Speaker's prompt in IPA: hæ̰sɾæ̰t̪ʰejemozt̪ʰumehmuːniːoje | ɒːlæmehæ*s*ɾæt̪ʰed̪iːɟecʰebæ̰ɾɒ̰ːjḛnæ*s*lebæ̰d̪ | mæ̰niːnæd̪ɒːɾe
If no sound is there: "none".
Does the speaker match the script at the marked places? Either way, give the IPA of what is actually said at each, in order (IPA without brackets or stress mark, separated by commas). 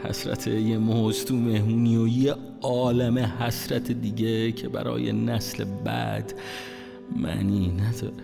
s, s